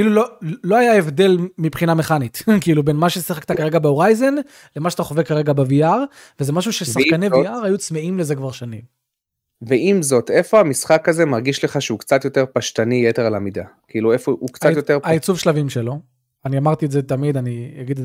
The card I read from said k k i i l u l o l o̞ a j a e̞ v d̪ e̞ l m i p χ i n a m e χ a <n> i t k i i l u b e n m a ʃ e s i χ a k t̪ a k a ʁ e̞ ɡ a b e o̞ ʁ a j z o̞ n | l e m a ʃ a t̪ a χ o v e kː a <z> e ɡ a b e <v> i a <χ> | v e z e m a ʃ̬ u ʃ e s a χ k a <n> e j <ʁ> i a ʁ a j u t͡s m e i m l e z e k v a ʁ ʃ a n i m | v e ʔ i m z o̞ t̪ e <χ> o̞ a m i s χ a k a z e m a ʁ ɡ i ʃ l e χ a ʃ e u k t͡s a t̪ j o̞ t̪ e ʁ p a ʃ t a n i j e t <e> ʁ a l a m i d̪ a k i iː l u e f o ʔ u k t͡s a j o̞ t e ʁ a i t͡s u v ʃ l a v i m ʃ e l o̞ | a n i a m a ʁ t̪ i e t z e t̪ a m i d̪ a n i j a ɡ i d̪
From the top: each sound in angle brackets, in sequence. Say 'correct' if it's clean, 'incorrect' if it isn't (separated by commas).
correct, incorrect, correct, incorrect, correct, incorrect, incorrect, correct